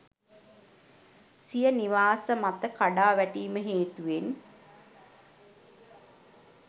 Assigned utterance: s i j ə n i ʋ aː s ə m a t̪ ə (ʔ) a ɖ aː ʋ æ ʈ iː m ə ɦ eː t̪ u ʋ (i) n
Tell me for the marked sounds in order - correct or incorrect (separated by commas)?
incorrect, incorrect